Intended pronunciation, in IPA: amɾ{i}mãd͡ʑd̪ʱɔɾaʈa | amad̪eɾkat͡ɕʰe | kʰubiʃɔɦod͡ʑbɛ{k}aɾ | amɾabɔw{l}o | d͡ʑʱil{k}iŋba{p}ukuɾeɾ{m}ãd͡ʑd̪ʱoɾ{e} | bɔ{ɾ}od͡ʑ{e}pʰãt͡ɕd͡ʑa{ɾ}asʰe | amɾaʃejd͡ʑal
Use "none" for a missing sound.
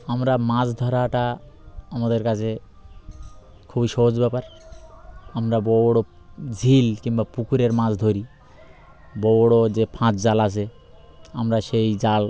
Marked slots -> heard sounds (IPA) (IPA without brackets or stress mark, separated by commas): a, p, ɽ, k, p, m, i, ɽ, e, l